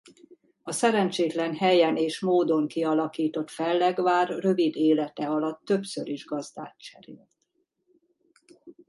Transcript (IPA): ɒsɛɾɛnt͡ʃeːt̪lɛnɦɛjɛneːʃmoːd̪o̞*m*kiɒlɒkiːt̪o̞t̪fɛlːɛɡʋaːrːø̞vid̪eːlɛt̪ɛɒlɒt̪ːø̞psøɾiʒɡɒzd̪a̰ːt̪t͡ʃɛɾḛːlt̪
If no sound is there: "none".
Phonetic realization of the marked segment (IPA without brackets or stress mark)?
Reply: ŋ